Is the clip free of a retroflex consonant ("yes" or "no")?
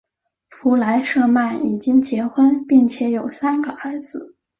no